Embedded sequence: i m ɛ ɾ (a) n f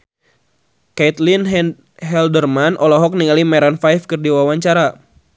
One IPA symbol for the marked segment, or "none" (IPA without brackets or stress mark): a